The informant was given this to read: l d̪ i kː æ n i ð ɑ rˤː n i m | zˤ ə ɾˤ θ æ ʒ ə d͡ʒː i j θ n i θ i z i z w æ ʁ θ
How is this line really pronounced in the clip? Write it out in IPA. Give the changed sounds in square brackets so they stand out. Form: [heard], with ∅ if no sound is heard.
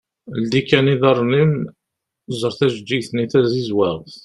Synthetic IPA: l d̪ i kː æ n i ð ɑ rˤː n i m | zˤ ə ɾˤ θ æ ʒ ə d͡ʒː i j θ n i θ [æ] z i z w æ ʁ θ